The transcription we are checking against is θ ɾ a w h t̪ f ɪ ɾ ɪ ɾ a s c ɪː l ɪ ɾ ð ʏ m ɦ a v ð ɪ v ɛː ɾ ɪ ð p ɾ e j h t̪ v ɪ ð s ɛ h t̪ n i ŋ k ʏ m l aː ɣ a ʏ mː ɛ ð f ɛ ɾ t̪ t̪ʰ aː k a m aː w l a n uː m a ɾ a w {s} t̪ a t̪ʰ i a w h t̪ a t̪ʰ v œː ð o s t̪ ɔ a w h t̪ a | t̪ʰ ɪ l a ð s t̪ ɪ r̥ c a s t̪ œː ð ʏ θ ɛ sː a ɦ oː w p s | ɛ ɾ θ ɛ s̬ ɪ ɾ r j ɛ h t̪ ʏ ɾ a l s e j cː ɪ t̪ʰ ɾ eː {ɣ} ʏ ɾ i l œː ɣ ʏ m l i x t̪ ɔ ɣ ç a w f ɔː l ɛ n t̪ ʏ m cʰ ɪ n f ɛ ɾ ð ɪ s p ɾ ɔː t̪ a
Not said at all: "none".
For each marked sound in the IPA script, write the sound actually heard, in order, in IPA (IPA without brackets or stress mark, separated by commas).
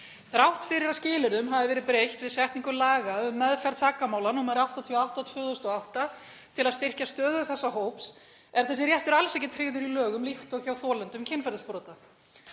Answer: h, ð